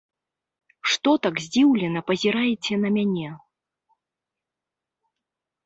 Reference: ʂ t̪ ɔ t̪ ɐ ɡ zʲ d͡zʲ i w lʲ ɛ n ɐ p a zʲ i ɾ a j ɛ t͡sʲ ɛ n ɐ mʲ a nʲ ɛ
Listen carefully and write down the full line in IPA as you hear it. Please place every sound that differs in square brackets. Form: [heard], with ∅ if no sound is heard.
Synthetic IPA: ʂ t̪ ɔ t̪ [a] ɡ zʲ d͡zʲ i w lʲ ɛ n ɐ p [ɐ] zʲ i ɾ a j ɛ t͡sʲ ɛ n ɐ mʲ a nʲ ɛ